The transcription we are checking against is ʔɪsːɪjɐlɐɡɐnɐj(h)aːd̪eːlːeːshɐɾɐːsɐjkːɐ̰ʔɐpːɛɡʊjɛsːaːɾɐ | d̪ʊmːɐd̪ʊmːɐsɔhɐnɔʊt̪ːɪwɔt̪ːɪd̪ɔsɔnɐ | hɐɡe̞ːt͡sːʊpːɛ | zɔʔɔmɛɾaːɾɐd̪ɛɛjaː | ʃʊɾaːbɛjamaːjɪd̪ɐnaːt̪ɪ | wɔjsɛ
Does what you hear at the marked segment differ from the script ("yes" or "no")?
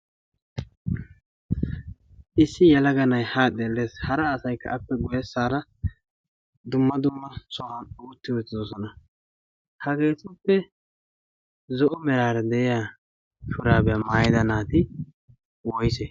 no